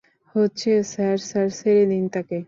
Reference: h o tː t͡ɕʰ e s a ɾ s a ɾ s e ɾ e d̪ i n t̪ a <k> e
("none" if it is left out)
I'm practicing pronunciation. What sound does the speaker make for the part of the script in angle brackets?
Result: k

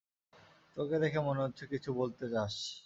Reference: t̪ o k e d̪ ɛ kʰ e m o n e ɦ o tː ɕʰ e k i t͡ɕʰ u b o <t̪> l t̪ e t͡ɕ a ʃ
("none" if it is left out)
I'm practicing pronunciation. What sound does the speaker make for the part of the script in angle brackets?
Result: none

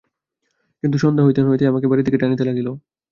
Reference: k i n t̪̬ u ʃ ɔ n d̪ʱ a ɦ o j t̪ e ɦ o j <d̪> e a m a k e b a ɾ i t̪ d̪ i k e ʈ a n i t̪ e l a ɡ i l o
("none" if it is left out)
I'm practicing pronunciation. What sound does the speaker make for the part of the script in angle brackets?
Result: t̪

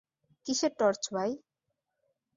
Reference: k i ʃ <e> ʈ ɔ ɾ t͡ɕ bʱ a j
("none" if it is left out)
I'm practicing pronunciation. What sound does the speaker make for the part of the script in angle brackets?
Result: e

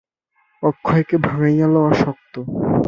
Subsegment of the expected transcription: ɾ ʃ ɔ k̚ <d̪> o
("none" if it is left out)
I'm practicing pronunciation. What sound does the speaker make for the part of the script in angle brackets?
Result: t̪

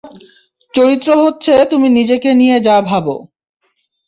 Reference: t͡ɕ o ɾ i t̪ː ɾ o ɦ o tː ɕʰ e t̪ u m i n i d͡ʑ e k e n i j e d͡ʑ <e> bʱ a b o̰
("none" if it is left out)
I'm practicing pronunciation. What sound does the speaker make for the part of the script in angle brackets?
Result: a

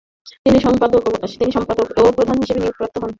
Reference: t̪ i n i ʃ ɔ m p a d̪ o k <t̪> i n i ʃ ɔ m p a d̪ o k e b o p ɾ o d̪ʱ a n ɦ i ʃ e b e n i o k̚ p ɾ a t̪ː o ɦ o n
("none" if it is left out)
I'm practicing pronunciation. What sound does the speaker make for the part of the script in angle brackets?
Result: t̪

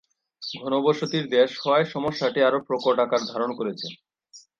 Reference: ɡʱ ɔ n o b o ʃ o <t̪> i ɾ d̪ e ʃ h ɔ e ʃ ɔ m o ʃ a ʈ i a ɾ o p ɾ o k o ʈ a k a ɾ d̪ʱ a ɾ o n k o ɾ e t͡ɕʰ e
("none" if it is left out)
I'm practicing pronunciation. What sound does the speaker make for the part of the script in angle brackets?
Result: t̪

